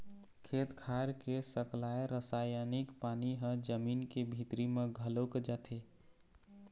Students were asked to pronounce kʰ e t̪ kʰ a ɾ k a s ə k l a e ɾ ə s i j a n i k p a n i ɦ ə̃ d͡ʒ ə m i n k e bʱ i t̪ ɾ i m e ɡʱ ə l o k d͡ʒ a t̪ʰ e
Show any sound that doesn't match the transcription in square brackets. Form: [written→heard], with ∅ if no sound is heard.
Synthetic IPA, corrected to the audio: kʰ e t̪ kʰ a ɾ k [a→e] s ə k l a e ɾ ə s [i→a] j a n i k p a n i ɦ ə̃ d͡ʒ ə m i n k e bʱ i t̪ ɾ i m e ɡʱ ə l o k d͡ʒ a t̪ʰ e